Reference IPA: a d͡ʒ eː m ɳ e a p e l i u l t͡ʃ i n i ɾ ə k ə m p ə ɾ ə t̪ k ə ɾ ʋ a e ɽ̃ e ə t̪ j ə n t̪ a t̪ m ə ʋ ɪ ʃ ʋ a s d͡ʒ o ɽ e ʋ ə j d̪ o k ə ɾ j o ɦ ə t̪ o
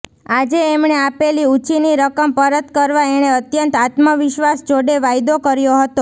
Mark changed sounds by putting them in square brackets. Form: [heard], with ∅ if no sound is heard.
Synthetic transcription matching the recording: a d͡ʒ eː m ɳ e a p e l i u [∅] t͡ʃ i n i ɾ ə k ə m p ə ɾ ə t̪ k ə ɾ ʋ a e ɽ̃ e ə t̪ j ə n t̪ a t̪ m ə ʋ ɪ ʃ ʋ a s d͡ʒ o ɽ e ʋ [a] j d̪ o k ə ɾ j o ɦ ə t̪ o